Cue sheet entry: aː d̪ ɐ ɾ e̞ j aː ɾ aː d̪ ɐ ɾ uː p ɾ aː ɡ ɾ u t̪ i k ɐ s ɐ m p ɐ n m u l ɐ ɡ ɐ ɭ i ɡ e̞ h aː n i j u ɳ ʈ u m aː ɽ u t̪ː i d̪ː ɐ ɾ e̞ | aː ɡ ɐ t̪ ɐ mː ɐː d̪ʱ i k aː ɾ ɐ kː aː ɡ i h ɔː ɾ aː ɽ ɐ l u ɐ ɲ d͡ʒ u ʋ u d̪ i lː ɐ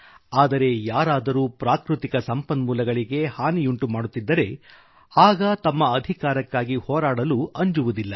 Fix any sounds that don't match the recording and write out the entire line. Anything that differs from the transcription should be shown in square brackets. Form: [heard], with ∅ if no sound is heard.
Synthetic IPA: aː d̪ ɐ ɾ e̞ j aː ɾ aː d̪ ɐ ɾ uː p ɾ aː [k] ɾ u t̪ i k ɐ s ɐ m p ɐ n m [uː] l ɐ ɡ ɐ ɭ i ɡ e̞ h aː n i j u ɳ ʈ u m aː ɽ u t̪ː i d̪ː ɐ ɾ e̞ | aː ɡ ɐ t̪ ɐ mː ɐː d̪ʱ i k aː ɾ ɐ kː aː ɡ i h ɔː ɾ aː ɽ ɐ l u ɐ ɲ d͡ʒ u ʋ u d̪ i lː ɐ